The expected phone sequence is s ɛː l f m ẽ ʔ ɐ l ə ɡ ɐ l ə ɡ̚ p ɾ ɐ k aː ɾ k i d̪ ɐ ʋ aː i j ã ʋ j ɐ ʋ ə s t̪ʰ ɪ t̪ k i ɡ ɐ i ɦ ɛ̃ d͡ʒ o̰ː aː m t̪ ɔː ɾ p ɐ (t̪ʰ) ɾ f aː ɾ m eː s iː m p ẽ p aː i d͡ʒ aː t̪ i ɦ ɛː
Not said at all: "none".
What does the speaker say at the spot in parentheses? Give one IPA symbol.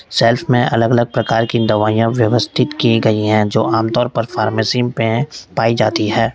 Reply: none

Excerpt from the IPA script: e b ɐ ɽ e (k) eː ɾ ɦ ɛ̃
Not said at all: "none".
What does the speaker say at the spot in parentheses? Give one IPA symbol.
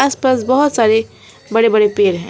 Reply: p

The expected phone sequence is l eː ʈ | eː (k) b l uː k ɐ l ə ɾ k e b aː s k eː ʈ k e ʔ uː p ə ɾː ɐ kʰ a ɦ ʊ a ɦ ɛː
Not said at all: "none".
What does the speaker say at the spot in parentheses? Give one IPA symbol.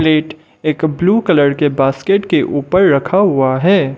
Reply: k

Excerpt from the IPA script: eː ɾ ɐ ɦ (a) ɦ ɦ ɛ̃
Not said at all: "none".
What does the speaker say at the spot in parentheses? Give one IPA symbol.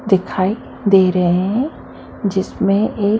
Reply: e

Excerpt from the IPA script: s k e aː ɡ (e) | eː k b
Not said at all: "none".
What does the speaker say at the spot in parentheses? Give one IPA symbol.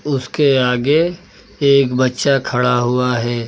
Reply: e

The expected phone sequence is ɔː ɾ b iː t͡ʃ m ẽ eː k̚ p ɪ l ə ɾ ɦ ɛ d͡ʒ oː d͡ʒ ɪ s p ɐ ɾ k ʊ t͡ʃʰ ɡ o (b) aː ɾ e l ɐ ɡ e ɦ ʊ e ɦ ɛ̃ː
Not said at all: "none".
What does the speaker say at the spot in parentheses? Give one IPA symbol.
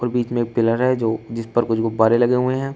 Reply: b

